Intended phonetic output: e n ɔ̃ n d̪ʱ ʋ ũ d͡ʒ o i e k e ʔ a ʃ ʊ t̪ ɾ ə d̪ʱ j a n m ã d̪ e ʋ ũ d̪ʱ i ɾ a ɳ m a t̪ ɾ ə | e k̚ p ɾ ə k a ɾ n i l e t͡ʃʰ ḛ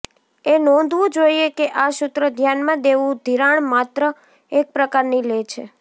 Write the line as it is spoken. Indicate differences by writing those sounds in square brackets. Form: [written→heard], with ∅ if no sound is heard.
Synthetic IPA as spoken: e n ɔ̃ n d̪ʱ ʋ ũ d͡ʒ o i e k e ʔ a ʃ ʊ t̪ ɾ ə d̪ʱ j a n m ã d̪ e ʋ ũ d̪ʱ i ɾ a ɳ m a t̪ ɾ ə | e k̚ p ɾ ə k a ɾ n i l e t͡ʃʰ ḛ